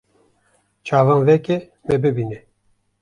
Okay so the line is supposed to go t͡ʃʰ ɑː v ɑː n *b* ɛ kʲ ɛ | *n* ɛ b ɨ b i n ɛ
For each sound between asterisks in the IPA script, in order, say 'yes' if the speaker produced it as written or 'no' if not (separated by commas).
no, no